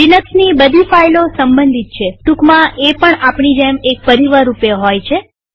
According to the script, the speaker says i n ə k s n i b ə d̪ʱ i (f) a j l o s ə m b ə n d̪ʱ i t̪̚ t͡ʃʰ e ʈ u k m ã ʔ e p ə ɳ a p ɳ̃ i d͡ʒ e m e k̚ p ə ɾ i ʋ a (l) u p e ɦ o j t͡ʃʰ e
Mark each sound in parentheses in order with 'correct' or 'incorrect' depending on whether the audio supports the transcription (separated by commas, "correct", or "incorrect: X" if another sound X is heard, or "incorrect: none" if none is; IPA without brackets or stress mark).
correct, incorrect: ɾ